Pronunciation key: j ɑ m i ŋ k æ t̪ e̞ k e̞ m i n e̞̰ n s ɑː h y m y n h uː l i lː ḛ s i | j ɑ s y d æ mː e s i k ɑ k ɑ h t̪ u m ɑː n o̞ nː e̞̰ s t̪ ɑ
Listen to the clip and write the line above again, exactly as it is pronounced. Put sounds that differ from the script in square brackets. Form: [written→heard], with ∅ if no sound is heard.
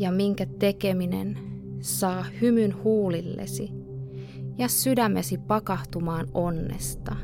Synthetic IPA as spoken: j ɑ m i ŋ k æ t̪ e̞ k e̞ m i n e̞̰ n s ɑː h y m y n h uː l i lː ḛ s i | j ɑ s y d æ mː e s i [k→p] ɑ k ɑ h t̪ u m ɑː n o̞ nː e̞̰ s t̪ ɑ